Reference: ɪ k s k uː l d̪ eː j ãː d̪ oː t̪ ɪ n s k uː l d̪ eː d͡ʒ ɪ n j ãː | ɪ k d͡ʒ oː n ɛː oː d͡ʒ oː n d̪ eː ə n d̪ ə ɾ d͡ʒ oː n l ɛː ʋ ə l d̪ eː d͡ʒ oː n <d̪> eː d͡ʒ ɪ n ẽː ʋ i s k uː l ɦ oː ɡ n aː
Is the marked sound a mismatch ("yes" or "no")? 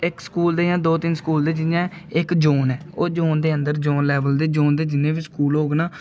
no